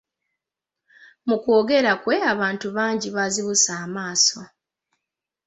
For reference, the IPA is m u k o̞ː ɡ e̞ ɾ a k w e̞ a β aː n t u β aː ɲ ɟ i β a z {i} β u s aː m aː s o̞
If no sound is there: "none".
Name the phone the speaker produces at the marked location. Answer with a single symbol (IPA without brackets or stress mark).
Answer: i